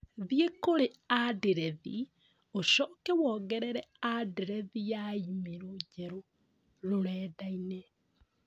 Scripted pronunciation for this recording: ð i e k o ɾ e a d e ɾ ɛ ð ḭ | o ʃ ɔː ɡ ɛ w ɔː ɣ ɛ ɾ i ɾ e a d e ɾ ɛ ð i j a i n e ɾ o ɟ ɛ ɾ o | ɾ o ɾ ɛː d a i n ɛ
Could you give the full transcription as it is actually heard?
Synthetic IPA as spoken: ð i e k o ɾ e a d e ɾ ɛ ð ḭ | o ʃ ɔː k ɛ w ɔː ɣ ɛ ɾ ɛ ɾ ɛ a d e ɾ ɛ ð i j a i m e ɾ o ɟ ɛ ɾ o | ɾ o ɾ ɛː d a i n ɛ